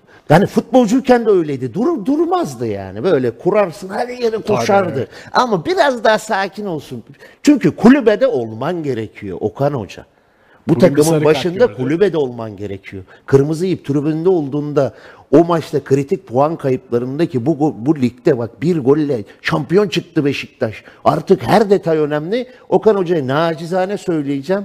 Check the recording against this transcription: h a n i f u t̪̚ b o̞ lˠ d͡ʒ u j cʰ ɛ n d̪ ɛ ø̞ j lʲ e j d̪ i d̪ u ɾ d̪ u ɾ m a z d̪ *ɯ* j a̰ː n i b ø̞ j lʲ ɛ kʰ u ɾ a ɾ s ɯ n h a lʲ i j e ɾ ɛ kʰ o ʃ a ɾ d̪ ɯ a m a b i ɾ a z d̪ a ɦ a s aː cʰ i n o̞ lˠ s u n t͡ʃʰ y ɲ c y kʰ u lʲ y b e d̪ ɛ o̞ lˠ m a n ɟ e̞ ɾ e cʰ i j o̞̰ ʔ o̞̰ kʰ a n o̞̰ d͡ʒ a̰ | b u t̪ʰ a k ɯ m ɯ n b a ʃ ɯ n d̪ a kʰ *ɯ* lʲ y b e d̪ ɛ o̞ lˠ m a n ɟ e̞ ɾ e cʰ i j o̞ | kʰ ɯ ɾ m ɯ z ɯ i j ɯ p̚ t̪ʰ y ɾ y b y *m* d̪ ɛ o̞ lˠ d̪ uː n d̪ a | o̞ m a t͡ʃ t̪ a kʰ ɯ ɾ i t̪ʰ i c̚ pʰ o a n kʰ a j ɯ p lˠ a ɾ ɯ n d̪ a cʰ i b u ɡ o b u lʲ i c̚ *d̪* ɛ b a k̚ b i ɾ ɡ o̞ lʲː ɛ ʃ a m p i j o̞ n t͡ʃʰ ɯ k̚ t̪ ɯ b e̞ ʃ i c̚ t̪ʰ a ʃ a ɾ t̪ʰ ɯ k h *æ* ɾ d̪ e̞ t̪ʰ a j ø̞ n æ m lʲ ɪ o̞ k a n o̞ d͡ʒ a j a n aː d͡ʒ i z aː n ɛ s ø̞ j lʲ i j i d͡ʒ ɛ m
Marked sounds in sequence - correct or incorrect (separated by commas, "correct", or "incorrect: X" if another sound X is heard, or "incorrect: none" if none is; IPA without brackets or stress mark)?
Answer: correct, incorrect: u, incorrect: n, incorrect: t̪, correct